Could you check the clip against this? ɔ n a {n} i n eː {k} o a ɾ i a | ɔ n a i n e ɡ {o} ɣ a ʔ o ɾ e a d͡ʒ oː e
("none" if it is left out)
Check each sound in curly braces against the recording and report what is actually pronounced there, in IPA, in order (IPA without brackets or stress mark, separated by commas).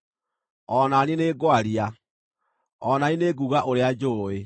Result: n, ɡ, u